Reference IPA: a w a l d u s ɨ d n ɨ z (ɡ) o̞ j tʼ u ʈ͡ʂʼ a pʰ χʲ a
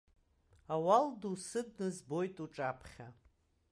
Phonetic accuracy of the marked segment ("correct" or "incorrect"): incorrect